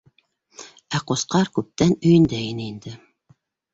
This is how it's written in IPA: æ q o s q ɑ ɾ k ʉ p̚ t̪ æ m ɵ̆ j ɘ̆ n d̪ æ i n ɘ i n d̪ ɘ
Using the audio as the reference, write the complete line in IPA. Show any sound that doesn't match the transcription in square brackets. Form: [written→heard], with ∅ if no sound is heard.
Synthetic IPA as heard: æ q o s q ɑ ɾ k ʉ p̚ t̪ æ [m→n] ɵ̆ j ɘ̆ n d̪ æ i n ɘ i n d̪ ɘ